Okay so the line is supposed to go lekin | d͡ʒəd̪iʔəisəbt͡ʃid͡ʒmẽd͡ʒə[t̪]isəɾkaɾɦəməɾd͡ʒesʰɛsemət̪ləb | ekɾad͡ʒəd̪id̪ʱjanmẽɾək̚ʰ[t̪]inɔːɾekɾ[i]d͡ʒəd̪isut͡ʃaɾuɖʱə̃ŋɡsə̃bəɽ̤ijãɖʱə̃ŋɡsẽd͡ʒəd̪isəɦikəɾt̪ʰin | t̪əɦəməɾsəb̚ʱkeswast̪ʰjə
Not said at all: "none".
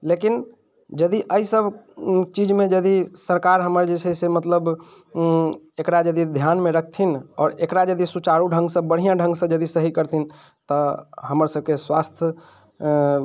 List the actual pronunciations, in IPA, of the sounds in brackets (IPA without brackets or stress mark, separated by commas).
d̪, t̪ʰ, a